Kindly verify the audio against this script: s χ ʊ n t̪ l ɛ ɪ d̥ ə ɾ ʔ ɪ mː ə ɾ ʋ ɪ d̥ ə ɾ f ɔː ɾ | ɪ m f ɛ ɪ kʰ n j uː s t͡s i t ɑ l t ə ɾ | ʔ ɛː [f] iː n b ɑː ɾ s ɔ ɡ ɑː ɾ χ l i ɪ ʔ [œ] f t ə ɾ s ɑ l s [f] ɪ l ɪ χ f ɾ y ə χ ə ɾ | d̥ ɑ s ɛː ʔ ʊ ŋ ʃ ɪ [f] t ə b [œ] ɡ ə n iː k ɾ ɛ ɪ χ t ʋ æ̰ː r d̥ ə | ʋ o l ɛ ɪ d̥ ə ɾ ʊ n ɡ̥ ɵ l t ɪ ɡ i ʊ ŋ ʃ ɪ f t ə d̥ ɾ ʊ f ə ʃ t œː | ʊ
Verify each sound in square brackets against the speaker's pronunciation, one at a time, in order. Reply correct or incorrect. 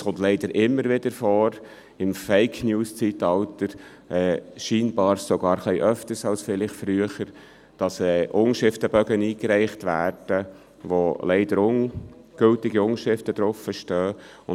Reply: incorrect, correct, correct, correct, correct

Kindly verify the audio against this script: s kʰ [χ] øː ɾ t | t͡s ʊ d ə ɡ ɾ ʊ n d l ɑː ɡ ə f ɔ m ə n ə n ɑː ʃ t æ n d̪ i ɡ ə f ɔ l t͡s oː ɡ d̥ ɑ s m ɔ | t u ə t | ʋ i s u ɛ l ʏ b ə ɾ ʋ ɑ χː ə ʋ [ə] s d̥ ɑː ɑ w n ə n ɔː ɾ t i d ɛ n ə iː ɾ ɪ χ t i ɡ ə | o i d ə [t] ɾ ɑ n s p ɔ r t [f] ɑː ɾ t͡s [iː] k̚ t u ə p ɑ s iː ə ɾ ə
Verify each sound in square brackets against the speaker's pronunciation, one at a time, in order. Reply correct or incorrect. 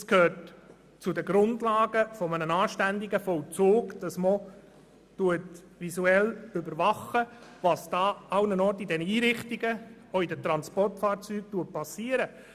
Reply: incorrect, incorrect, correct, correct, incorrect

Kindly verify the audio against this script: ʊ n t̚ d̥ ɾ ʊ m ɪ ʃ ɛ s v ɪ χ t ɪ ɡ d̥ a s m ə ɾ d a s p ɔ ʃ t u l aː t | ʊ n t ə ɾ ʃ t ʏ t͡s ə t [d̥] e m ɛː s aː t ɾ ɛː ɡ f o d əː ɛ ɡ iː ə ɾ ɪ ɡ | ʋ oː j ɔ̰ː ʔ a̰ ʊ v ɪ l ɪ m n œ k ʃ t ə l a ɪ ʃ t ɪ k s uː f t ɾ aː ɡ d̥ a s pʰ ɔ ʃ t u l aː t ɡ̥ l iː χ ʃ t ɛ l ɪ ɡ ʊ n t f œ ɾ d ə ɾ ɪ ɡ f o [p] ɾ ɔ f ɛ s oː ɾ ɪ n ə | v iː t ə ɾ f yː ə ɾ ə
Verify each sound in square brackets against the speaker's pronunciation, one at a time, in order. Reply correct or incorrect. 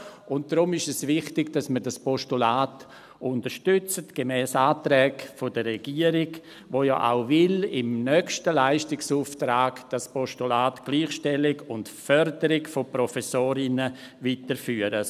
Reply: incorrect, correct

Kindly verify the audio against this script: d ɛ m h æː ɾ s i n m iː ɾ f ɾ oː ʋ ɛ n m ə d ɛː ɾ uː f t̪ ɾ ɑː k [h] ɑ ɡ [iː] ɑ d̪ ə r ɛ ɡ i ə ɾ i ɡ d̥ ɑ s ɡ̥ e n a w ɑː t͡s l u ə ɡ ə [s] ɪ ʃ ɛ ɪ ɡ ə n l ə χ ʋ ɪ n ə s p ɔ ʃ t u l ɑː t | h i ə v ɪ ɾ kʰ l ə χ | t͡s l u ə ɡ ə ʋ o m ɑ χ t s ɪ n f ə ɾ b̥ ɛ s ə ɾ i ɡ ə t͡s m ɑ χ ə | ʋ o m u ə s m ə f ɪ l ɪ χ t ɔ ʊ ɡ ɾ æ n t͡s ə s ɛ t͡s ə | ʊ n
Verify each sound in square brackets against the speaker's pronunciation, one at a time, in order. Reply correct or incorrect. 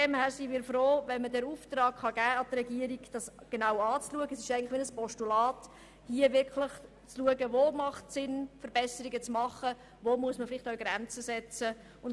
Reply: incorrect, incorrect, correct

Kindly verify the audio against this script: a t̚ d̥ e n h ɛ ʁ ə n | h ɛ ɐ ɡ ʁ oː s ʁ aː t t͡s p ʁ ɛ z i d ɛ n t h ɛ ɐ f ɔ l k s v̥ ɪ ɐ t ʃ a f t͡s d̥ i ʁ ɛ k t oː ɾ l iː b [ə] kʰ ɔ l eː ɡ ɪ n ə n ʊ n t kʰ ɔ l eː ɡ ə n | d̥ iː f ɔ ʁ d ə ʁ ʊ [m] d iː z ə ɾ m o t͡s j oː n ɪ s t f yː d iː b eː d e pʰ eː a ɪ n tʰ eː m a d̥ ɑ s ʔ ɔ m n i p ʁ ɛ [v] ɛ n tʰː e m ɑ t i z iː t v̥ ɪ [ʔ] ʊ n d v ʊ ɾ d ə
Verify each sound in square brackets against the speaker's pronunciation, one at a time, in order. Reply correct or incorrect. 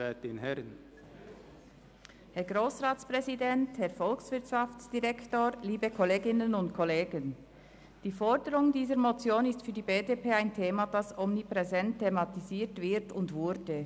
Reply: correct, incorrect, incorrect, incorrect

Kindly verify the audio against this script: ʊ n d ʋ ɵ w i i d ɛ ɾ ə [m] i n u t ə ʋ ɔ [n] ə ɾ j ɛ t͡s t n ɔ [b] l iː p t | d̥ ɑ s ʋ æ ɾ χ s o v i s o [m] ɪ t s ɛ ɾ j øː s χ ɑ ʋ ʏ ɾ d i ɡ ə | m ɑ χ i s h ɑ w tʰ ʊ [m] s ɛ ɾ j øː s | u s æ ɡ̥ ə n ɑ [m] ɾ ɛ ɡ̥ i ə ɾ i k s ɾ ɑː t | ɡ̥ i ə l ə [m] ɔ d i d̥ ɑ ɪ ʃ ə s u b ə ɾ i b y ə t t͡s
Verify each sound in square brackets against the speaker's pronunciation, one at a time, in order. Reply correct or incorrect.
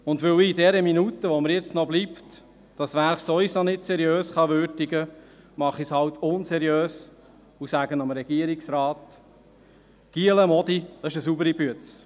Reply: correct, incorrect, correct, incorrect, incorrect, correct, correct

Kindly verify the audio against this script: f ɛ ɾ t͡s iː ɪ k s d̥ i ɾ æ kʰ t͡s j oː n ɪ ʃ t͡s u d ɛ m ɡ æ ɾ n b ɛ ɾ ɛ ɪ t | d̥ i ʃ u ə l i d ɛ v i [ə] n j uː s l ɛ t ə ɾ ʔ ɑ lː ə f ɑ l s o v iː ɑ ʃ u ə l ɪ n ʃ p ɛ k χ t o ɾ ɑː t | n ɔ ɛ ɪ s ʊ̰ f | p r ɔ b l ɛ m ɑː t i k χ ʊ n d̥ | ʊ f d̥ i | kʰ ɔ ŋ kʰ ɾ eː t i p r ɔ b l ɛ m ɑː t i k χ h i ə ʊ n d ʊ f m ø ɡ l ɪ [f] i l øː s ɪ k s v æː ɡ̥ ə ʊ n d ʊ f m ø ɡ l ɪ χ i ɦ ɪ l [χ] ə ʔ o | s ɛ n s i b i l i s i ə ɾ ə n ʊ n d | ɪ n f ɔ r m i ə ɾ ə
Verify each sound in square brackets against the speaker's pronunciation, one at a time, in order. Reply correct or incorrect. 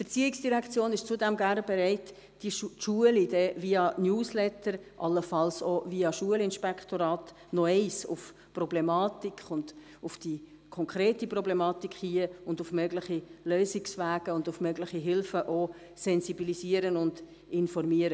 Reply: incorrect, incorrect, incorrect

